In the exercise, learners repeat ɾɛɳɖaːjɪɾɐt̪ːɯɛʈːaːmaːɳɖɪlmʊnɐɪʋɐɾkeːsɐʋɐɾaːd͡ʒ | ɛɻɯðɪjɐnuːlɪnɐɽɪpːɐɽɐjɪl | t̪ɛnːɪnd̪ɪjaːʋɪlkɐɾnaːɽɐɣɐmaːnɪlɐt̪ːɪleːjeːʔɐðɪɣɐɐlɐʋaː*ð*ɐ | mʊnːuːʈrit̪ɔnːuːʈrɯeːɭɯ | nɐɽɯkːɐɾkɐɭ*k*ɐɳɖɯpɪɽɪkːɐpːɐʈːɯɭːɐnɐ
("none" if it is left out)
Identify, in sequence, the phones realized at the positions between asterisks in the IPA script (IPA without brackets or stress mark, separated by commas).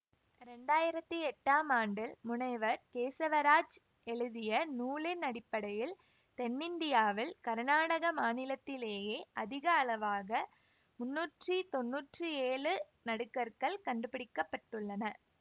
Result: ɣ, k